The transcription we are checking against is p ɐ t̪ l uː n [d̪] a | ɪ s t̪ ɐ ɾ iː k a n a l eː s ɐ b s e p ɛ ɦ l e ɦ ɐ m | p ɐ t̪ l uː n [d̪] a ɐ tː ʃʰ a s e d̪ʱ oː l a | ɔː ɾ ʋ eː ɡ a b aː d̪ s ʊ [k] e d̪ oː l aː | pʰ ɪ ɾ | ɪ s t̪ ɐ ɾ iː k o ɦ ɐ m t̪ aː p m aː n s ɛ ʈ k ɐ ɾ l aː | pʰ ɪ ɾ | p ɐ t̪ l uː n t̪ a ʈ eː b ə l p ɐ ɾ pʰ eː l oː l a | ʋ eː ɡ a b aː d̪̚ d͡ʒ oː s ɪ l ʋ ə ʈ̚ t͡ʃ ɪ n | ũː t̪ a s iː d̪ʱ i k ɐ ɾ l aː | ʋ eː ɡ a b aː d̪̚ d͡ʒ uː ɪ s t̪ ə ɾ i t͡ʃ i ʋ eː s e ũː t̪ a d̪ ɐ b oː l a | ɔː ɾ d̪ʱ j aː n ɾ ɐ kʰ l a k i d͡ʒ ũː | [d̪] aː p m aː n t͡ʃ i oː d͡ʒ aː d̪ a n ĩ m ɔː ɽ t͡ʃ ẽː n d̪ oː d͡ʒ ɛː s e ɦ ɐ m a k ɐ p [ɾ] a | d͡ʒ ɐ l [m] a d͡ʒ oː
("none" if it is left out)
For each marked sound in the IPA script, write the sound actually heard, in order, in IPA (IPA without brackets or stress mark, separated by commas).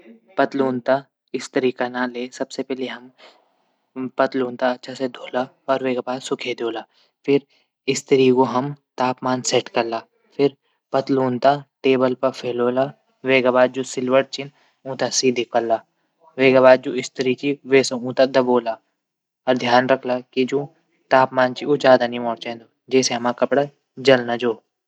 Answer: t̪, t̪, kʰ, t̪, ɽ, n